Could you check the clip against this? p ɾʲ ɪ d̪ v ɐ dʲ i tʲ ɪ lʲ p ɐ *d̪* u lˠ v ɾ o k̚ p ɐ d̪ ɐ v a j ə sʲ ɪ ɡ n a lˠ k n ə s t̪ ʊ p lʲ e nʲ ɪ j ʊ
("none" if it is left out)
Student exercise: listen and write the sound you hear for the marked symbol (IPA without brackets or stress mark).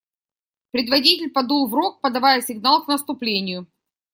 d̪